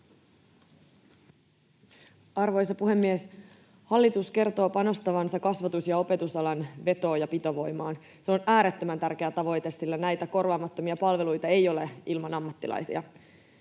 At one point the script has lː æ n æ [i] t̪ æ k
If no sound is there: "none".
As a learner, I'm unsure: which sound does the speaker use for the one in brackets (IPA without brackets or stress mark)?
j